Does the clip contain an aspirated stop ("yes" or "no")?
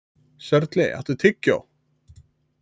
yes